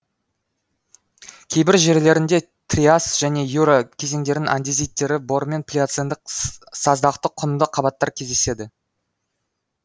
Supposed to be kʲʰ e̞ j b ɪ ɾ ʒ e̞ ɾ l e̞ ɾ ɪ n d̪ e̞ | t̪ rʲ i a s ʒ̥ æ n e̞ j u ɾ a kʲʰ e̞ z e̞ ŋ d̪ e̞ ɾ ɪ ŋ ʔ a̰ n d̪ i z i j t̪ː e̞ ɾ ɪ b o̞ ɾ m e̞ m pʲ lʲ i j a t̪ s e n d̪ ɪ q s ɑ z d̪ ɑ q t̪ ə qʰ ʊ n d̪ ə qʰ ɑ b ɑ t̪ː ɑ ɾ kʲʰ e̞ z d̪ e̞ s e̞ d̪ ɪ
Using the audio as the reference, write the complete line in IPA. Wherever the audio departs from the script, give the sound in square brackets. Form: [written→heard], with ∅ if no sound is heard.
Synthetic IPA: kʲʰ e̞ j b ɪ ɾ ʒ e̞ ɾ l e̞ ɾ ɪ n d̪ e̞ | t̪ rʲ i a s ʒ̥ æ n e̞ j u ɾ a kʲʰ e̞ z e̞ ŋ d̪ e̞ ɾ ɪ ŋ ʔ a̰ n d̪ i z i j t̪ː e̞ ɾ ɪ b o̞ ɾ m e̞ [m→n] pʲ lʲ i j a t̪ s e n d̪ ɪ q s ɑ z d̪ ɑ q t̪ ə qʰ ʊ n d̪ ə qʰ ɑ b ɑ t̪ː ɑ ɾ kʲʰ e̞ z d̪ e̞ s e̞ d̪ ɪ